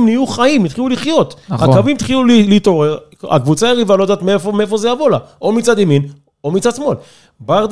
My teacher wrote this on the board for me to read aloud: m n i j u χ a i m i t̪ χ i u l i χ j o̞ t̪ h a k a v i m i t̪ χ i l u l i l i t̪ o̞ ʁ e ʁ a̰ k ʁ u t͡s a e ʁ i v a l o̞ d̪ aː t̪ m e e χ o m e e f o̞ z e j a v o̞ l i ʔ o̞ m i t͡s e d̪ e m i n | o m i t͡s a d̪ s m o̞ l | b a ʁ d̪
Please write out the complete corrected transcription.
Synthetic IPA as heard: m n i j u χ a i m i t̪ χ i u l i χ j o̞ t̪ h a k a v i m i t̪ χ i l u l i l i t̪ o̞ ʁ e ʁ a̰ k v u t͡s a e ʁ i v a l o̞ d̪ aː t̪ m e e f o m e e f o̞ z e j a v o̞ l a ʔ o̞ m i t͡s a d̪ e m i n | o m i t͡s a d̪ s m o̞ l | b a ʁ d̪